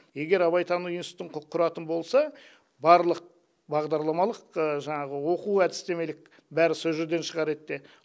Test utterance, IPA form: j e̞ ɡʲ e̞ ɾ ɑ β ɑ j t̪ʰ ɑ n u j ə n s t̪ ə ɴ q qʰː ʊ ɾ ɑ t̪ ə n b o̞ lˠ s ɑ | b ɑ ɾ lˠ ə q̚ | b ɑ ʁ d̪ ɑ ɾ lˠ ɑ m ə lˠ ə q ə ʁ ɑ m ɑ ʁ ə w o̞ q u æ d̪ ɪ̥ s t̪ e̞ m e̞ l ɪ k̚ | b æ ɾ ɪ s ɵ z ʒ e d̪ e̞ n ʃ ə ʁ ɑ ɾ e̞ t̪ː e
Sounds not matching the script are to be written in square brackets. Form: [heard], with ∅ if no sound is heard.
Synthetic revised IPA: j e̞ ɡʲ e̞ ɾ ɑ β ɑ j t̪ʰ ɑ n u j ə n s t̪ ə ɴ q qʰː ʊ ɾ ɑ t̪ ə n b o̞ lˠ s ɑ | b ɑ ɾ lˠ ə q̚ | b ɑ ʁ d̪ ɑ ɾ lˠ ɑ m [ɑ] lˠ ə q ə [ʒ] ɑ [ɴ] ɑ ʁ ə w o̞ q u æ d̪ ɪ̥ s t̪ e̞ m e̞ l ɪ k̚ | b æ ɾ ɪ s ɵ z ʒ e d̪ e̞ n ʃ ə ʁ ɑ ɾ e̞ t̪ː e

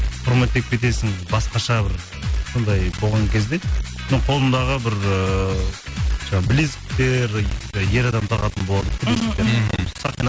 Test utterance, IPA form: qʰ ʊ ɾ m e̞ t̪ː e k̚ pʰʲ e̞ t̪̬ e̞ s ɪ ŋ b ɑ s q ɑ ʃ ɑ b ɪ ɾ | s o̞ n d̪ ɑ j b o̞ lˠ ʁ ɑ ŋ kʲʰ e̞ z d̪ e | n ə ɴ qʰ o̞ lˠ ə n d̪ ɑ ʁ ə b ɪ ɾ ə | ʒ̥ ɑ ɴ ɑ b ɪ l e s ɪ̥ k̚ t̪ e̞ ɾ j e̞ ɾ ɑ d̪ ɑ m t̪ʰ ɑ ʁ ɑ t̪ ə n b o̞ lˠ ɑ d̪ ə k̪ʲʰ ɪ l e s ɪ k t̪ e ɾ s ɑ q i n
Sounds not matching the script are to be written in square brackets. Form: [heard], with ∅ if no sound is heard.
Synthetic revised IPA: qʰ ʊ ɾ m e̞ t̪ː e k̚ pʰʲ e̞ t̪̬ e̞ s ɪ ŋ b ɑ s q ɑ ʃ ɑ b ɪ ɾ | s o̞ n d̪ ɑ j b o̞ lˠ ʁ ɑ ŋ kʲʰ e̞ z d̪ e | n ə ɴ qʰ o̞ lˠ ə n d̪ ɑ ʁ ə b ɪ ɾ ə | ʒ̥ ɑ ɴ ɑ b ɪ l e s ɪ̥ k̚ t̪ e̞ ɾ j e̞ ɾ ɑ d̪ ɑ m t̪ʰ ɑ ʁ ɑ t̪ ə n b o̞ lˠ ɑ d̪ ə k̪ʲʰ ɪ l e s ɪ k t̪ e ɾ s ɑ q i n

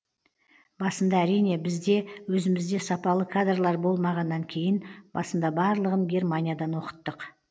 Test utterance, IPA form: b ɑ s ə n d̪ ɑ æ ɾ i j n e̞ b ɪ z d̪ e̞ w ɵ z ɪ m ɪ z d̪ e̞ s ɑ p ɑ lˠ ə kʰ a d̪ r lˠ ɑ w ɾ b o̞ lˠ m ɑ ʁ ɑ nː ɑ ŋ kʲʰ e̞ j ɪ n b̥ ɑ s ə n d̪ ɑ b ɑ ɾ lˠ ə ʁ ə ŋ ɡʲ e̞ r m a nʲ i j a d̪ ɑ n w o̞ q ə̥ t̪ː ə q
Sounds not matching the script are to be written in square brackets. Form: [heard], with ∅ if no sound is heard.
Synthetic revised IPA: b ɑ s ə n d̪ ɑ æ ɾ i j n e̞ b ɪ z d̪ e̞ w ɵ z ɪ m ɪ z d̪ e̞ s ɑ p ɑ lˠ ə kʰ a d̪ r lˠ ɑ [∅] ɾ b o̞ lˠ m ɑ ʁ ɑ nː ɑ ŋ kʲʰ e̞ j ɪ n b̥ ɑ s ə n d̪ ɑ b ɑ ɾ lˠ ə ʁ ə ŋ ɡʲ e̞ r m a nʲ i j a d̪ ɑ n w o̞ q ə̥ t̪ː ə q

